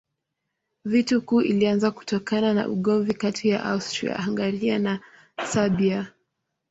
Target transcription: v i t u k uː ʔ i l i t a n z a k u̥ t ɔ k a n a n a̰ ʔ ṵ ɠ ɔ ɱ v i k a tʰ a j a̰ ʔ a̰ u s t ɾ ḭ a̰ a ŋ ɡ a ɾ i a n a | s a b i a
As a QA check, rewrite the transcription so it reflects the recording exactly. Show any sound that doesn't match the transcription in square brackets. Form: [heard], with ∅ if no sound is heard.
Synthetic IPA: v i t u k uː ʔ i l i [∅] a n z a k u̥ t ɔ k a n a n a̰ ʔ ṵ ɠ ɔ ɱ v i k a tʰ [i] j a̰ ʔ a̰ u s t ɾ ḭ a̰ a ŋ ɡ a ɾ i a n a | s a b i a